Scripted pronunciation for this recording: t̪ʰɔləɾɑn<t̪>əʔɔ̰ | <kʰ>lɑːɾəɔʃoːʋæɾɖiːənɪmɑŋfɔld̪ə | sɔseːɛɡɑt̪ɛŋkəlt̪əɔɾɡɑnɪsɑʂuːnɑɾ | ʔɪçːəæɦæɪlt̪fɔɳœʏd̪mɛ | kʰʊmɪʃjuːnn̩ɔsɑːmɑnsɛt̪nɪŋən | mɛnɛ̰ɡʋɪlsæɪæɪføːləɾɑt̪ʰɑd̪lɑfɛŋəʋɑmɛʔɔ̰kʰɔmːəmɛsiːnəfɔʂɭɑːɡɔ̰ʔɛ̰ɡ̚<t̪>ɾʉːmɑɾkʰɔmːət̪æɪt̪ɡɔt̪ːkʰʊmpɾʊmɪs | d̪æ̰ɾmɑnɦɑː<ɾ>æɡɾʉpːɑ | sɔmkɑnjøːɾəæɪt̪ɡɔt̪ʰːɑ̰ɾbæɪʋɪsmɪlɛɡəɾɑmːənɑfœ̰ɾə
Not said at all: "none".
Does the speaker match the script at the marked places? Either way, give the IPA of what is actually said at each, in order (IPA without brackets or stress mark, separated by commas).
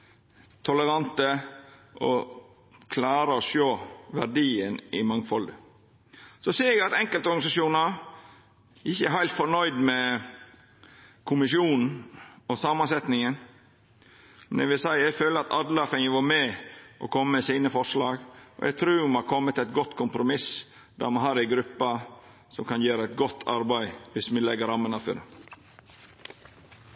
t̪, kʰ, t̪ʰ, ɾ